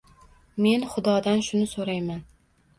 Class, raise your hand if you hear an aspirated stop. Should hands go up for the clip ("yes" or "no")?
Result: no